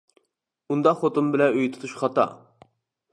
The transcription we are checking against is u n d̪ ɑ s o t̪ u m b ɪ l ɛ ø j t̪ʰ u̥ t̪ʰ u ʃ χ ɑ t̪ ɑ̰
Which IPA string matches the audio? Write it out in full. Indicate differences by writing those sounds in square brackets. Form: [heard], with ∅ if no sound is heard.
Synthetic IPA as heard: u n d̪ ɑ [χ] o t̪ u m b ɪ l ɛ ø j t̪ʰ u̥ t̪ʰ u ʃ χ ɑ t̪ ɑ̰